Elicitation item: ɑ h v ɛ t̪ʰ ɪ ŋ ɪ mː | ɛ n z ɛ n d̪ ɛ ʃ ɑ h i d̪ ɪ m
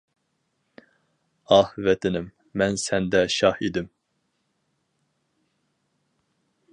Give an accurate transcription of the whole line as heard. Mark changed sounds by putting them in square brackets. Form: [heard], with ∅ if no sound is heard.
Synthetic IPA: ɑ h v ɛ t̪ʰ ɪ [n] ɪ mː | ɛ n [s] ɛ n d̪ ɛ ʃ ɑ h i d̪ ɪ m